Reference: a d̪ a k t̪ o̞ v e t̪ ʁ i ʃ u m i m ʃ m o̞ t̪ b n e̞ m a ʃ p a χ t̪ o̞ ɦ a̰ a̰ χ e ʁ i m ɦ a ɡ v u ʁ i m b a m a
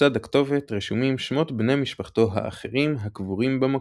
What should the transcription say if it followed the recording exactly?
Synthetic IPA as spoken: a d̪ a k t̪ o̞ v e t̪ ʁ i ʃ u m i m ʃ m o̞ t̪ b n e̞ m i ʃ p a χ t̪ o̞ ɦ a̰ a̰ χ e ʁ i m ɦ a k v u ʁ i m b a m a